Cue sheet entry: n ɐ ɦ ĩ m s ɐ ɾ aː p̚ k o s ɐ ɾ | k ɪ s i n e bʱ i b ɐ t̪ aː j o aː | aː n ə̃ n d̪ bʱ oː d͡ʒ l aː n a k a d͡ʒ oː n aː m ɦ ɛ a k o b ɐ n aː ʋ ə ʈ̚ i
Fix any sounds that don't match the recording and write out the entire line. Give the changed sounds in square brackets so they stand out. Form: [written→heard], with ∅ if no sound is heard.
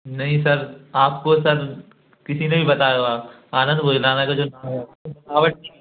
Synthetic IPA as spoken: n ɐ ɦ ĩ [m→∅] s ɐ ɾ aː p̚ k o s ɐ ɾ | k ɪ s i n e bʱ i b ɐ t̪ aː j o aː | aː n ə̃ n d̪ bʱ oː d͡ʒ l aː n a k a d͡ʒ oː n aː m ɦ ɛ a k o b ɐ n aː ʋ ə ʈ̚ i